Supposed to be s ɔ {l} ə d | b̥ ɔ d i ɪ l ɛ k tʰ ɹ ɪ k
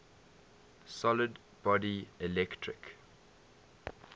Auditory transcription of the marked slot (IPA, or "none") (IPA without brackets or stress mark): l